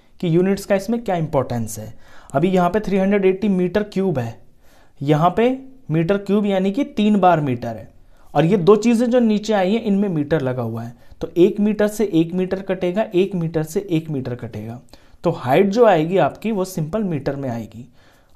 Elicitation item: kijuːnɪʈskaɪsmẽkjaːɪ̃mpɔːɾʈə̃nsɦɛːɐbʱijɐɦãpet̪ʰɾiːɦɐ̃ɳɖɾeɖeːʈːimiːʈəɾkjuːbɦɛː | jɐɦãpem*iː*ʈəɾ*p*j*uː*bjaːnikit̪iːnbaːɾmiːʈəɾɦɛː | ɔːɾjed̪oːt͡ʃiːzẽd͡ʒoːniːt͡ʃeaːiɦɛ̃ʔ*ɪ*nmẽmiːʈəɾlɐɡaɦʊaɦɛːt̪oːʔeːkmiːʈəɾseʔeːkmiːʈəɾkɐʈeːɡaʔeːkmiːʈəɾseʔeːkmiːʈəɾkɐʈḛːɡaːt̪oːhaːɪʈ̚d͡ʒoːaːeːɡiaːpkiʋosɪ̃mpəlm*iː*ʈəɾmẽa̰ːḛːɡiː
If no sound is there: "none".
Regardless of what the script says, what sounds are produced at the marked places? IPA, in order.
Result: iː, k, uː, ɪ, iː

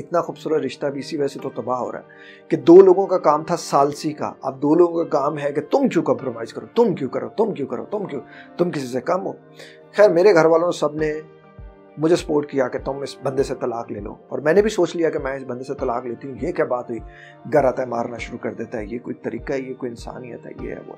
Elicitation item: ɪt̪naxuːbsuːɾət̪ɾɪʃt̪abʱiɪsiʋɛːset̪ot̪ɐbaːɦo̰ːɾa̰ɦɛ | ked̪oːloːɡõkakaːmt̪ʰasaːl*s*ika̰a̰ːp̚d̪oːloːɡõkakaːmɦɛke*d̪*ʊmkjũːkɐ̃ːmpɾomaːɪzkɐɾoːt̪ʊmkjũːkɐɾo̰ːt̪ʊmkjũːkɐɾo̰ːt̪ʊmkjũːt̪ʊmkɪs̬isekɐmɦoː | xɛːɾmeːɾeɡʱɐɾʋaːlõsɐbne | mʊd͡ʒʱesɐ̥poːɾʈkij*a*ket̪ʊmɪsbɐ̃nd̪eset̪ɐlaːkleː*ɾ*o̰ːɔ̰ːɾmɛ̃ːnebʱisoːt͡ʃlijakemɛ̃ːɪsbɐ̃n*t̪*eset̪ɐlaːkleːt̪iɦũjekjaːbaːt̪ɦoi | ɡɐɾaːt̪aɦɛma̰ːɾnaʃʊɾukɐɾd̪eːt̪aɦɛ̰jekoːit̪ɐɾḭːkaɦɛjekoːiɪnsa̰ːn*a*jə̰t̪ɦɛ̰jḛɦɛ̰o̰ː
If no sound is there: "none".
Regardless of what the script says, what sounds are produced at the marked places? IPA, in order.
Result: s, t̪, a, l, d̪, i

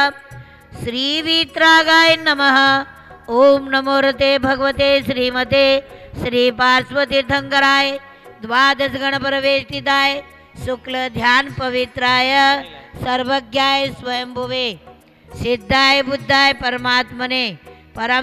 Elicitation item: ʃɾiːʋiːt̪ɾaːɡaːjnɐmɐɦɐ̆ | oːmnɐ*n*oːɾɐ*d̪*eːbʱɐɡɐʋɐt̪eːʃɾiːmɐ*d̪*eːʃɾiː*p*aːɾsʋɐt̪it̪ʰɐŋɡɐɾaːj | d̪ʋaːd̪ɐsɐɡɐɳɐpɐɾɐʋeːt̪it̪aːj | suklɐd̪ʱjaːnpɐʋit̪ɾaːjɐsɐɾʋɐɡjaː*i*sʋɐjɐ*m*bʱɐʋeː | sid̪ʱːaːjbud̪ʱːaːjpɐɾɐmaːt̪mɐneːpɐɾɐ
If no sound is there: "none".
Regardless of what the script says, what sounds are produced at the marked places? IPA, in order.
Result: m, t̪, t̪, p, j, m

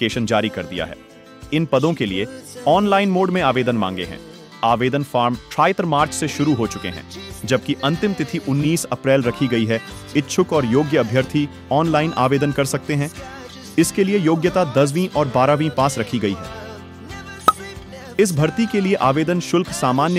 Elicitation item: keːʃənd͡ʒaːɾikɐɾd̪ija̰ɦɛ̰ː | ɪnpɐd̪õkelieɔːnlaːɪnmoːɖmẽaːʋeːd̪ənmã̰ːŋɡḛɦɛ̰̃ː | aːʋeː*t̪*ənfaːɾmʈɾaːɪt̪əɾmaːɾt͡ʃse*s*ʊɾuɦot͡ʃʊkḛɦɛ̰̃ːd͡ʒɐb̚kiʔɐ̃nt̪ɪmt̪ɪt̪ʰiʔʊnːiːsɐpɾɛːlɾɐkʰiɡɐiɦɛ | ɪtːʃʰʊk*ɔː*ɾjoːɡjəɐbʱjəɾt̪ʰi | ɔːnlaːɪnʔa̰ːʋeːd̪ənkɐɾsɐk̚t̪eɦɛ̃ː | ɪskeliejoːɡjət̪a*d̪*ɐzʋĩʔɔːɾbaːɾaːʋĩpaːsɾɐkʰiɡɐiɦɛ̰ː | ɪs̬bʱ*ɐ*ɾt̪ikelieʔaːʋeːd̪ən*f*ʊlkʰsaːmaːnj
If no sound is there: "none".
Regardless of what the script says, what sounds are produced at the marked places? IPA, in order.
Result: d̪, ʃ, ɔː, d̪, ɐ, ʃ

